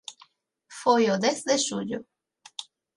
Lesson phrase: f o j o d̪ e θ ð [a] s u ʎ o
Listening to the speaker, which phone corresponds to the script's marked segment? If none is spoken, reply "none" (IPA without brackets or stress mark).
e